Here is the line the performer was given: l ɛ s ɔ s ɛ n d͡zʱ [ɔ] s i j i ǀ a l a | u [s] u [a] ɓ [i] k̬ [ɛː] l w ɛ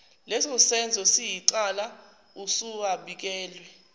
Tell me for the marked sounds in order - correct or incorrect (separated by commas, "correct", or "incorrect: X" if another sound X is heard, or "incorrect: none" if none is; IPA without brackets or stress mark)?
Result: correct, correct, correct, correct, correct